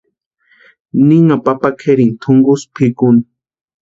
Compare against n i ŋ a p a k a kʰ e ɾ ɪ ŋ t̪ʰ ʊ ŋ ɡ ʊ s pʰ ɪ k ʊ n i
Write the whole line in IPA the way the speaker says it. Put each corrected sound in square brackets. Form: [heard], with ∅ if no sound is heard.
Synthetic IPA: n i ŋ a p a [p] a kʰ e ɾ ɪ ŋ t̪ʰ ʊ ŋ ɡ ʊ s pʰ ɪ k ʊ n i